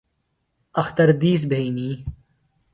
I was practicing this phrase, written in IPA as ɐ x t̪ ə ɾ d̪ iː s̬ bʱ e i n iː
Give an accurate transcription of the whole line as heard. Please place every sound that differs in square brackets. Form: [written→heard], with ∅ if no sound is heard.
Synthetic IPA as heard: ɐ x t̪ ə ɾ d̪ iː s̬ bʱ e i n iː